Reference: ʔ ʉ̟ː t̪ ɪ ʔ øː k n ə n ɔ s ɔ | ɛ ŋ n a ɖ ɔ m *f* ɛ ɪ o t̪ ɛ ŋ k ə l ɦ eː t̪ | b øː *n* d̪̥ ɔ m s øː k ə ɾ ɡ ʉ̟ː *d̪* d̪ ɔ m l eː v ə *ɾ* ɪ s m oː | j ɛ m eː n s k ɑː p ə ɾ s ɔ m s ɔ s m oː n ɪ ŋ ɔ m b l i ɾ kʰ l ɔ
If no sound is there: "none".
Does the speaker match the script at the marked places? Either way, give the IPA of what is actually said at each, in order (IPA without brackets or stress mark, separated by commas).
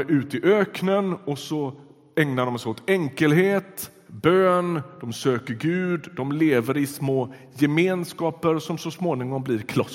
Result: s, n, d̪, ɾ